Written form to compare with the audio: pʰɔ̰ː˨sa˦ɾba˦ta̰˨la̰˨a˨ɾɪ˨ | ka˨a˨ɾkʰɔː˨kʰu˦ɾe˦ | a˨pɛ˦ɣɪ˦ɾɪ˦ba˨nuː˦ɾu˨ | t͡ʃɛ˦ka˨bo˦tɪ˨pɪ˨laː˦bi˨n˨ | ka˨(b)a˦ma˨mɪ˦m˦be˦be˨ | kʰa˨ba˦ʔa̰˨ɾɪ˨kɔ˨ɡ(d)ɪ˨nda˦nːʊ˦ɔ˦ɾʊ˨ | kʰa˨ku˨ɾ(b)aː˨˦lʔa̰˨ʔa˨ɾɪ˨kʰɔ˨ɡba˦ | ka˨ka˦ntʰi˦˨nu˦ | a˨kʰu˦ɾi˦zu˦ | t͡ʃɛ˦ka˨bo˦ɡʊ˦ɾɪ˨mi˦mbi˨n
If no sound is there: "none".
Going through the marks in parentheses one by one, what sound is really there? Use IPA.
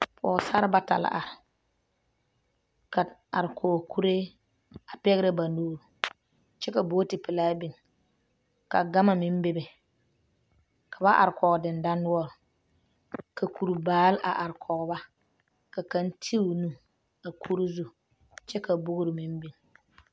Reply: ɡ, d, b

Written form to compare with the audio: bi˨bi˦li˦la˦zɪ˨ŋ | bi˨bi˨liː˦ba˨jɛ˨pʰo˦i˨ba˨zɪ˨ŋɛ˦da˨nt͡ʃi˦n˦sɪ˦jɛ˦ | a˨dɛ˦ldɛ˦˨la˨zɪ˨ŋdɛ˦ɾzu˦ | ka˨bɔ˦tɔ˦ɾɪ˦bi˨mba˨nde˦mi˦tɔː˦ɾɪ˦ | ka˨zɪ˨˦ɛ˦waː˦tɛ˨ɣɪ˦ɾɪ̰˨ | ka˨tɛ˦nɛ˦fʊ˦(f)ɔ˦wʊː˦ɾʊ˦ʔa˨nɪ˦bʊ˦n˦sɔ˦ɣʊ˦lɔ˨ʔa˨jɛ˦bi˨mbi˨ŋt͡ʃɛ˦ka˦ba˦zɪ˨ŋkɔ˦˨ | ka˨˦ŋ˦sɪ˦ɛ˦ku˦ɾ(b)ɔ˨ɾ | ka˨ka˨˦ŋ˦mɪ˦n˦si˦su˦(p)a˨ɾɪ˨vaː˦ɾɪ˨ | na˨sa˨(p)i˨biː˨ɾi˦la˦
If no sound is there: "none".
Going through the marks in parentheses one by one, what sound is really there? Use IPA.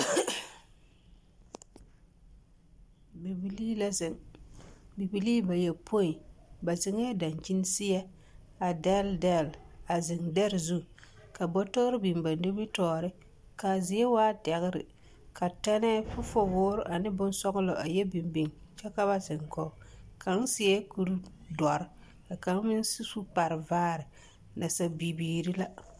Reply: f, d, p, b

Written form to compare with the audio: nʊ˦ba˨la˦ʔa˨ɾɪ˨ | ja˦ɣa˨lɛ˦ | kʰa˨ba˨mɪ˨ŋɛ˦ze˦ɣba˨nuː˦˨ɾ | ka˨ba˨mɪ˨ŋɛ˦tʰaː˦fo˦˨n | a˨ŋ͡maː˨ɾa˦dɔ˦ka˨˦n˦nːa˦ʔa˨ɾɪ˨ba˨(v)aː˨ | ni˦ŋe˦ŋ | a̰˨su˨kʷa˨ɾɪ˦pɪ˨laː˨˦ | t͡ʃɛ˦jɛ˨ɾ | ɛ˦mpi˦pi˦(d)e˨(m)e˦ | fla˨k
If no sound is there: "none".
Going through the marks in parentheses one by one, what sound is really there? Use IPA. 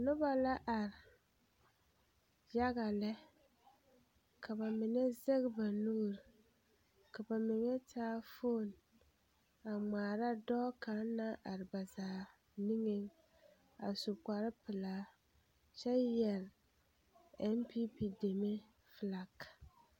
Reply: z, d, m

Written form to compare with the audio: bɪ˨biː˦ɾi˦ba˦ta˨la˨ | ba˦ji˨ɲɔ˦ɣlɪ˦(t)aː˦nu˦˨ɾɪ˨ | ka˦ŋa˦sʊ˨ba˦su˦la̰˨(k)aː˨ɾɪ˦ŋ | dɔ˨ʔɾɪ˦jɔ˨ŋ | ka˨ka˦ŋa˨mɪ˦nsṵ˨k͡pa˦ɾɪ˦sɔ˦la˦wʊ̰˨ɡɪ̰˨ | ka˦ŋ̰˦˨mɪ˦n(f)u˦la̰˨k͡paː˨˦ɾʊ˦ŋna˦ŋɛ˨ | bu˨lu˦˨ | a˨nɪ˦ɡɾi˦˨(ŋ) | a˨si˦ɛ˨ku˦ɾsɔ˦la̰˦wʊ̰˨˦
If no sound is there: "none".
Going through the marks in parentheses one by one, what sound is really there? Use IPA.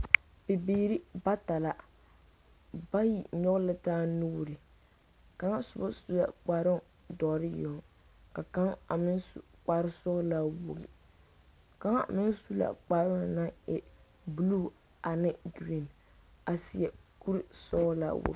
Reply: t, k͡p, s, n

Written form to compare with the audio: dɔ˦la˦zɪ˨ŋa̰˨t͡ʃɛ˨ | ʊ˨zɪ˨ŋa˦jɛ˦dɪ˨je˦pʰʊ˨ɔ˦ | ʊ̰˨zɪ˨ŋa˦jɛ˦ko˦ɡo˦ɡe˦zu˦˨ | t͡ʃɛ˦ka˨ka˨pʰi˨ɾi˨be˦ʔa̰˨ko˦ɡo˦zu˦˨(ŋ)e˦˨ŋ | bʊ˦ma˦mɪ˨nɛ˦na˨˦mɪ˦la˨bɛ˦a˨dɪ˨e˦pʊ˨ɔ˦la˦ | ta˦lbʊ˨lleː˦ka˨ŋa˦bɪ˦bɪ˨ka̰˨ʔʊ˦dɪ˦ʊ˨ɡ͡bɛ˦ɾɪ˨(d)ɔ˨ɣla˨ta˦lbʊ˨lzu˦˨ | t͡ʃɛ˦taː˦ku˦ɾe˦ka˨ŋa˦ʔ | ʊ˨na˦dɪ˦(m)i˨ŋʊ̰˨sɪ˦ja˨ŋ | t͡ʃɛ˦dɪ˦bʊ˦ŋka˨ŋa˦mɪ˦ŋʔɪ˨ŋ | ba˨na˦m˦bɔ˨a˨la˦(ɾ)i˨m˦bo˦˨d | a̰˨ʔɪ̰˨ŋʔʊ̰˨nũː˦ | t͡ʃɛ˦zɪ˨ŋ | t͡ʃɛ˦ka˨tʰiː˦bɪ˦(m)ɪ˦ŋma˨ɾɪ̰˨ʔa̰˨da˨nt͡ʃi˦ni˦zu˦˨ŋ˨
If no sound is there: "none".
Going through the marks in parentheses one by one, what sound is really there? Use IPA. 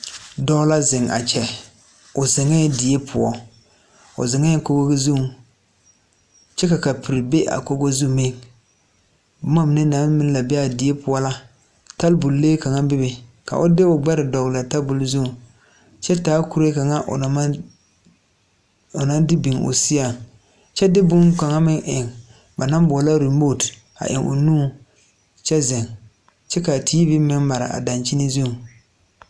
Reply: m, d, b, ɾ, m

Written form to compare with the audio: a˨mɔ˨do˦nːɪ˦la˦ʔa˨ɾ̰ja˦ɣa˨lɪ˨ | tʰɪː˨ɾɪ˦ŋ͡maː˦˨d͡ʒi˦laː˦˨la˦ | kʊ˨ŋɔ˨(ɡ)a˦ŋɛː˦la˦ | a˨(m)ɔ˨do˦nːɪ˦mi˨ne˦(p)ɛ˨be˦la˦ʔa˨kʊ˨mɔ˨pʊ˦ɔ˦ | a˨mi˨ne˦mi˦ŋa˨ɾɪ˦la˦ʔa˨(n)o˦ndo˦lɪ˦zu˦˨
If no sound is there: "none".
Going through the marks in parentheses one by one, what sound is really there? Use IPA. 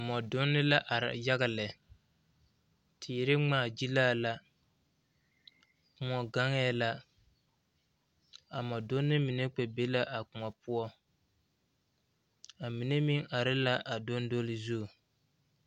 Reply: ɡ, m, k͡p, d

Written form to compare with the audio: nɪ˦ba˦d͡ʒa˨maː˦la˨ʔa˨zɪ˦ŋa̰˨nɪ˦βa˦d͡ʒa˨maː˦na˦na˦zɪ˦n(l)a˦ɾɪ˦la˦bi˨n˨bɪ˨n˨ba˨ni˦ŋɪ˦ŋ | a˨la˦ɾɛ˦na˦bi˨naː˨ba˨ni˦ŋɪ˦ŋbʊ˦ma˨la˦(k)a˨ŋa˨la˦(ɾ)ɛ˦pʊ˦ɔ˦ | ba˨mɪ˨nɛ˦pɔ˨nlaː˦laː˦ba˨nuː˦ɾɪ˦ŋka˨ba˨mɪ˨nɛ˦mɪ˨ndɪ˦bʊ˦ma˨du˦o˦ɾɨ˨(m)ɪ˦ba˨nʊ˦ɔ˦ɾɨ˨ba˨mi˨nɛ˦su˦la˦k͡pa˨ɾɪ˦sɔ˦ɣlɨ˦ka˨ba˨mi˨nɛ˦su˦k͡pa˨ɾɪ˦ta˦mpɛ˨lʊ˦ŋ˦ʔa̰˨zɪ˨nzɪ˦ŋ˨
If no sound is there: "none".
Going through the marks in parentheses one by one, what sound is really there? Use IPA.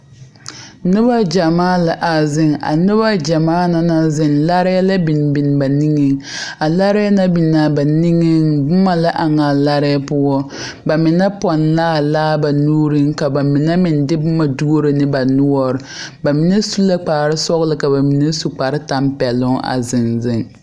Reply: l, ʔ, ɾ, n

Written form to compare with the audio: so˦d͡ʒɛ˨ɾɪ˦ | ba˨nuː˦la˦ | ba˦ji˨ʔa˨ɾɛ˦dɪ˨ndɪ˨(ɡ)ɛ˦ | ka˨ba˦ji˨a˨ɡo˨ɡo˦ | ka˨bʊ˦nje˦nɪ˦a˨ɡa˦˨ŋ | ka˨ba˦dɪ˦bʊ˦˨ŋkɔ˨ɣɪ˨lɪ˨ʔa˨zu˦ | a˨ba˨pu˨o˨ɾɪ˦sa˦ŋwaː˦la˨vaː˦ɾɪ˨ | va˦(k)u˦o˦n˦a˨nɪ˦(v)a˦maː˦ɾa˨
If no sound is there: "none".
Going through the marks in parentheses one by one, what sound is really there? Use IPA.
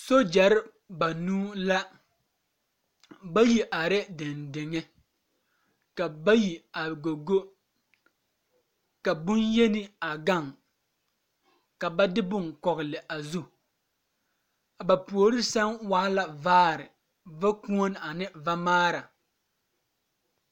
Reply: ŋ, k, v

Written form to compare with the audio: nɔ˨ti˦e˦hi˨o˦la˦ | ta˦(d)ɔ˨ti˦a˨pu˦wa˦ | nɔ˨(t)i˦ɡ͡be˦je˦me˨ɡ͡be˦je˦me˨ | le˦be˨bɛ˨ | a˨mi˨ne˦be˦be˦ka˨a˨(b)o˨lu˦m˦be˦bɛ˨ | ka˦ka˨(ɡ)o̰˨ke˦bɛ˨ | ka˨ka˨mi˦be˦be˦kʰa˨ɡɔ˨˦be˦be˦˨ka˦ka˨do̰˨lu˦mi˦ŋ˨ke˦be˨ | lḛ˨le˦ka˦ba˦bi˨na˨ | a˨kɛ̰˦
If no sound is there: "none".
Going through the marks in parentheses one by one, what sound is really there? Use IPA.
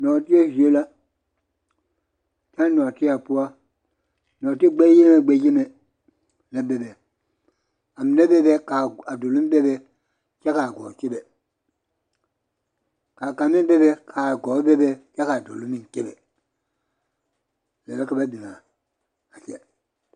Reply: n, t, d, ɡ

